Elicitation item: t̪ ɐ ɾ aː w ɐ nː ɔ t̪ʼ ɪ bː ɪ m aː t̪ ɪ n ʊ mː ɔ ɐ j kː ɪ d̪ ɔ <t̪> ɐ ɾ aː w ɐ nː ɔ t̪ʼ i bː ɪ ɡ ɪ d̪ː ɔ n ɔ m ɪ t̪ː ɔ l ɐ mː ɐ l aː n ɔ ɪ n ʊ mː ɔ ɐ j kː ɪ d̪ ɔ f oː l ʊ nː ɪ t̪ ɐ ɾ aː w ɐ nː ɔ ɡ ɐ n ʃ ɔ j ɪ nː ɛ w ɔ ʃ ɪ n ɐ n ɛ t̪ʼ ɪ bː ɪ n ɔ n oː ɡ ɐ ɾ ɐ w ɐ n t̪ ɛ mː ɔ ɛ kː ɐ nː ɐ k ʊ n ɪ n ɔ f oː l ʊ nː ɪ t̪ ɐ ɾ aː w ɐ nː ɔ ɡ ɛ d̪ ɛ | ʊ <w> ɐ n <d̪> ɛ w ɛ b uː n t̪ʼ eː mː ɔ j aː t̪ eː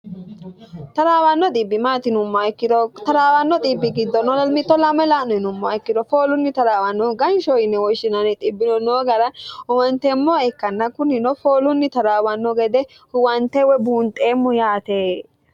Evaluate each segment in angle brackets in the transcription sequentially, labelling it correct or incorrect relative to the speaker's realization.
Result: correct, correct, incorrect: t̪

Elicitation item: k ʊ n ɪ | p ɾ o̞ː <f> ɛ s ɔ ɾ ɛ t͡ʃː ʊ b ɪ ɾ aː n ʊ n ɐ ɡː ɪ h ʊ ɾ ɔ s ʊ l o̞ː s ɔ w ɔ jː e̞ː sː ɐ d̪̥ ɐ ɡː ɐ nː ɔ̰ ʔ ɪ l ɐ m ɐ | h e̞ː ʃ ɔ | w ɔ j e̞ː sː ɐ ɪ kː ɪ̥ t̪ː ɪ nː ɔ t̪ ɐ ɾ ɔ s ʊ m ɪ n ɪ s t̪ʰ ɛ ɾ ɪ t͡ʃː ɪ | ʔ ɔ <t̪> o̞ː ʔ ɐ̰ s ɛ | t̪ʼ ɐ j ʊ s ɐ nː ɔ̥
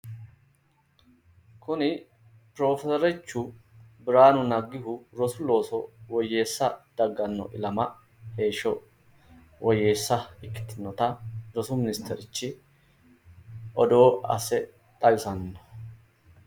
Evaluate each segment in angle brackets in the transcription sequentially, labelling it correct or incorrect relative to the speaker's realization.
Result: correct, incorrect: d̪

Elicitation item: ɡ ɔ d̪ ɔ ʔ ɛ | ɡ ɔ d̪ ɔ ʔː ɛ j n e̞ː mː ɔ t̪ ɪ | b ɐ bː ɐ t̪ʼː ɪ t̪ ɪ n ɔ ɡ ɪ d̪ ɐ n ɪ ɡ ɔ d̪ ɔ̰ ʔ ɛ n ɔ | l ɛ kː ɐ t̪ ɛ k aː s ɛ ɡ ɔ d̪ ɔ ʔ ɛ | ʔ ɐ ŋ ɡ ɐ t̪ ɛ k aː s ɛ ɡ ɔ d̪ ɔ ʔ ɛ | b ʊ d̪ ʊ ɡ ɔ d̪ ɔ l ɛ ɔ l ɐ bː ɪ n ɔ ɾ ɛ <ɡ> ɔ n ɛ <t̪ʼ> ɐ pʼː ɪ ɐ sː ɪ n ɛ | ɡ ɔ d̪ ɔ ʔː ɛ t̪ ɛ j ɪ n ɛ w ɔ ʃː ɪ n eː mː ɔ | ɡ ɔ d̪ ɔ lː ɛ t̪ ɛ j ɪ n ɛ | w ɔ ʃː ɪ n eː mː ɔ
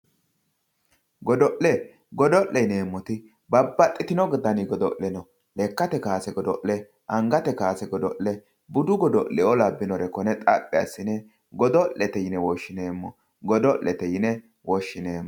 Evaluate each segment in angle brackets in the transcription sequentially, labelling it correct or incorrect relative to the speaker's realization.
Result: incorrect: k, correct

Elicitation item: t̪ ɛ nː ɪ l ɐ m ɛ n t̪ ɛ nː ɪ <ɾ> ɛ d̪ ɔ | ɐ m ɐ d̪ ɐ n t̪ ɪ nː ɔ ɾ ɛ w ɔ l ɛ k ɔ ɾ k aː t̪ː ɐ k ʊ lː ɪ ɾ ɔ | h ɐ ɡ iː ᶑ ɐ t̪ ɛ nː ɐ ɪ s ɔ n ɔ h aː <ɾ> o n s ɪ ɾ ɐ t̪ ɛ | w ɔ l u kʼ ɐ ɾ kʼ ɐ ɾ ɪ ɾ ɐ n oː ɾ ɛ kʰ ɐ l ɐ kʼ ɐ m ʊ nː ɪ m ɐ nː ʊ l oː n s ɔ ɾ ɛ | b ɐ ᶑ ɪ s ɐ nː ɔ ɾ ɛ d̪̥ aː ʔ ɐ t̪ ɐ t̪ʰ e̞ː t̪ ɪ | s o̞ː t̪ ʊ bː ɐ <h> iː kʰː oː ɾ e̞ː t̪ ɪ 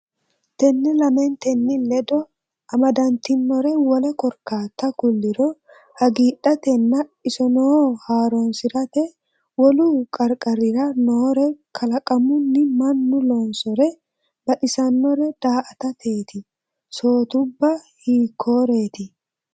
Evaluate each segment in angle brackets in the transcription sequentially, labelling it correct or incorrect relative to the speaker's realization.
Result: incorrect: l, correct, correct

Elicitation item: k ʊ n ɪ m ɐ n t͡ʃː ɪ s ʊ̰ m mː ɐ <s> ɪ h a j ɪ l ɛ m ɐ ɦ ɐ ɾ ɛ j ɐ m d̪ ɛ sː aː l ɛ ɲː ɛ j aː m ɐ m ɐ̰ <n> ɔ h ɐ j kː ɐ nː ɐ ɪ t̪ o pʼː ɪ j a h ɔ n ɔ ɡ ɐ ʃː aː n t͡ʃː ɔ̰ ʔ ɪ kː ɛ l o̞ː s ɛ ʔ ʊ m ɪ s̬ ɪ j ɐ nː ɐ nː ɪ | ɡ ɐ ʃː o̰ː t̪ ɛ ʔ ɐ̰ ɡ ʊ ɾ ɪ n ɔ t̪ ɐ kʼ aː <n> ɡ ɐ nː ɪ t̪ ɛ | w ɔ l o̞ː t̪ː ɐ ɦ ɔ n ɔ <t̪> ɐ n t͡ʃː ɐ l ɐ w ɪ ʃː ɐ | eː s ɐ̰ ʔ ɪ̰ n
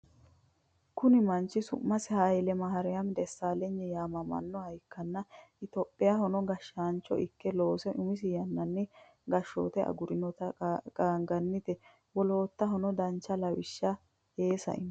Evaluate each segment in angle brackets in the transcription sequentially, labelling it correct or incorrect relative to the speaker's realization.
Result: correct, incorrect: nː, incorrect: ŋ, incorrect: d̪

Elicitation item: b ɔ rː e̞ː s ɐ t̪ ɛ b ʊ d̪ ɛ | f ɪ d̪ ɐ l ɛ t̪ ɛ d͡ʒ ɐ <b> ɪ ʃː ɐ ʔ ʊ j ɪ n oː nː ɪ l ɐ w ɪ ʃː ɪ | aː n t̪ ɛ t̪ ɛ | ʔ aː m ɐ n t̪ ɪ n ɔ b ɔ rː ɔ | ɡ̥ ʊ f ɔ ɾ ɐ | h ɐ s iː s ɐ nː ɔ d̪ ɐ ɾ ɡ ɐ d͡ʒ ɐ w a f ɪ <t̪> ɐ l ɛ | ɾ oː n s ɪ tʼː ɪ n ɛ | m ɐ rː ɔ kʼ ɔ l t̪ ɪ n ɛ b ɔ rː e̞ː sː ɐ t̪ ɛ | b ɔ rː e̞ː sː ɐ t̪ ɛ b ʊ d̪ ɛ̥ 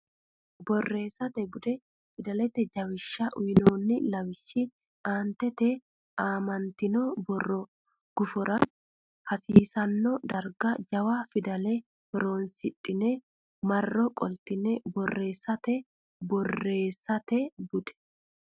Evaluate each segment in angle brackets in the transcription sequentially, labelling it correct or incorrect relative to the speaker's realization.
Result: incorrect: w, incorrect: d̪

